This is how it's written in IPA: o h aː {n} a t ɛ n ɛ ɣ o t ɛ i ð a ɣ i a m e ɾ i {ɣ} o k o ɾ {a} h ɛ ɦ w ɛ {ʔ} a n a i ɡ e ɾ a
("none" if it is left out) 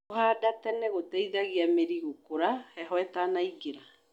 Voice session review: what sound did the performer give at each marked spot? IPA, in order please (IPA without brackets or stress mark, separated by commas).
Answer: d, ɣ, a, t